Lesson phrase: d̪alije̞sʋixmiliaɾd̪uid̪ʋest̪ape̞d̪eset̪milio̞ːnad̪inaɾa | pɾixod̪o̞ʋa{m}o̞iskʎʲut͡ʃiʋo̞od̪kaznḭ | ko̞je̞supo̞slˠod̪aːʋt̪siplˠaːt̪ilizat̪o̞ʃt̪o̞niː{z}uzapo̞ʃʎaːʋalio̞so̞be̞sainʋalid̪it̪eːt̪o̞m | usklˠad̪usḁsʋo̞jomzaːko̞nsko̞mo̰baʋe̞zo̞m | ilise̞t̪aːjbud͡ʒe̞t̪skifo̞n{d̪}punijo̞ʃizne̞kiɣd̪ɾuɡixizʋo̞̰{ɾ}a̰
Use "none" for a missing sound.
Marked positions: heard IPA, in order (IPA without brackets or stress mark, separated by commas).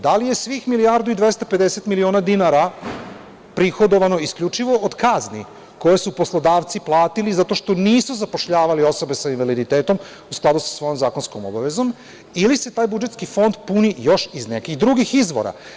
n, s, d̪, ɾ